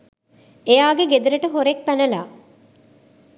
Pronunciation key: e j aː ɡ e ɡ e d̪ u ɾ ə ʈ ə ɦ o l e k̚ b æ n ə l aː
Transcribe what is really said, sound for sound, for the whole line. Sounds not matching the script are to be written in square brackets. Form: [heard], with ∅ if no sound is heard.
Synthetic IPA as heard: e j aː ɡ e ɡ e d̪ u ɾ ə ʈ ə ɦ o [ɾ] e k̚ [p] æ n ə l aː